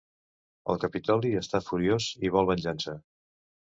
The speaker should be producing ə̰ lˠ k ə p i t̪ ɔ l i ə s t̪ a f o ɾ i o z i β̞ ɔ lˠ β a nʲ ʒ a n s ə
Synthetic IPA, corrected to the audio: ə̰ lˠ k ə p i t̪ ɔ l i ə s t̪ a f u ɾ i o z i β̞ ɔ lˠ β ə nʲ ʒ a n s ə